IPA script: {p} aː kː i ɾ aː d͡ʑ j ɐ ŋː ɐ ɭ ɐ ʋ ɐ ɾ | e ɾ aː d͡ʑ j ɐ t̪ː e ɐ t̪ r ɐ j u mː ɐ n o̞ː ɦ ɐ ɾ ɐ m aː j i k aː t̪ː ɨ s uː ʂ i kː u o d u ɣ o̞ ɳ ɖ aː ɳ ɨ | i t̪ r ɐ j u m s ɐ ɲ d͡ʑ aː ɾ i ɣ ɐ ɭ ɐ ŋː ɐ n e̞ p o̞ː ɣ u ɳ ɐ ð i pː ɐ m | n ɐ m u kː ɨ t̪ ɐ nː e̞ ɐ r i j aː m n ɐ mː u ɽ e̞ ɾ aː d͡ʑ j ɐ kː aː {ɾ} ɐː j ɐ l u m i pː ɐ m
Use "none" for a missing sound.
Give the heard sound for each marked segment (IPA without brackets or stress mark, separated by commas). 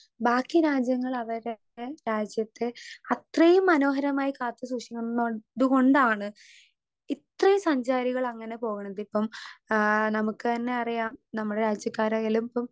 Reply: b, ɾ